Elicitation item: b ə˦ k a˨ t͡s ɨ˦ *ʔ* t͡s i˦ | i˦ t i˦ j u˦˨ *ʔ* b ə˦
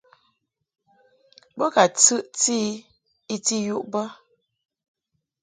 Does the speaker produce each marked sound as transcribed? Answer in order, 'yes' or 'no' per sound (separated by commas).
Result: yes, yes